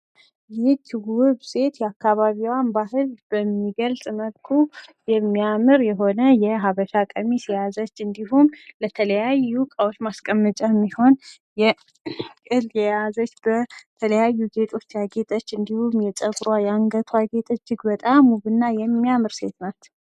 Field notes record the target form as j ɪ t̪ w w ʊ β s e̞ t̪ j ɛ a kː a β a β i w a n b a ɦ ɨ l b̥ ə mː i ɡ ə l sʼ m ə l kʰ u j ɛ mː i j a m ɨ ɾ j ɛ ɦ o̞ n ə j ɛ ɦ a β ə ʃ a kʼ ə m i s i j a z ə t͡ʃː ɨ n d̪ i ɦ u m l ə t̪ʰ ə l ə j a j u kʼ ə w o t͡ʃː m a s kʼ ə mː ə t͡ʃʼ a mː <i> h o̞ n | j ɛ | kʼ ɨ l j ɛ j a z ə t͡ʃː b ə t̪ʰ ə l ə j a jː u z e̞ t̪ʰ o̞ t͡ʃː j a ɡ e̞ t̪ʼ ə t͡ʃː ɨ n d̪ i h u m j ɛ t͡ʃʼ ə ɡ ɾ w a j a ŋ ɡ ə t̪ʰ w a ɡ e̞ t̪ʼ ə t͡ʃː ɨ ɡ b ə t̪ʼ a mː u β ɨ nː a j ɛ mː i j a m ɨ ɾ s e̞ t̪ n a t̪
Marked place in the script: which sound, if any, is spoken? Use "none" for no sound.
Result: i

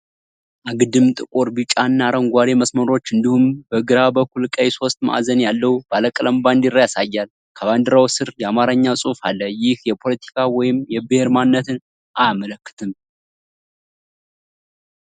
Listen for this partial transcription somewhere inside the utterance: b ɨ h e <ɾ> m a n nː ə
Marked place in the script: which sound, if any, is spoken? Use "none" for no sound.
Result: ɾ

